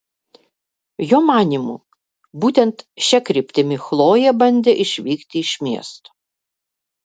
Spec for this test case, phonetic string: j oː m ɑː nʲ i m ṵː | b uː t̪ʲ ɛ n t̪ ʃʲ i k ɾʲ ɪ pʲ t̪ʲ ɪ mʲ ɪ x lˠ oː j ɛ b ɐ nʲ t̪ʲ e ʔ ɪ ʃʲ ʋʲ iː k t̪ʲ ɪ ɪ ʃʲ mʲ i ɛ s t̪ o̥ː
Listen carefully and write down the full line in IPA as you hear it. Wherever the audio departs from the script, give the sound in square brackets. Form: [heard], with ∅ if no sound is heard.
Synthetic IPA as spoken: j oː m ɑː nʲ i m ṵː | b uː t̪ʲ ɛ n t̪ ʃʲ [ɛ] k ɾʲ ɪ pʲ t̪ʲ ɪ mʲ ɪ x lˠ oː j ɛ b ɐ nʲ [d̪ʲ] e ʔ ɪ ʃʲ ʋʲ iː k t̪ʲ ɪ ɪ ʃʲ mʲ i ɛ s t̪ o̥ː